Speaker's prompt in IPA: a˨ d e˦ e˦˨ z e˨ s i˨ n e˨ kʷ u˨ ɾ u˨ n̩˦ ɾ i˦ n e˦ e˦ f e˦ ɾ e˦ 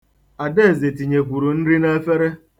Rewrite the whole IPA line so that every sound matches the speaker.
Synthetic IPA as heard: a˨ d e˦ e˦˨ z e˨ t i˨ ɲ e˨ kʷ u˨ ɾ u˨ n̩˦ ɾ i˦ n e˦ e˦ f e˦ ɾ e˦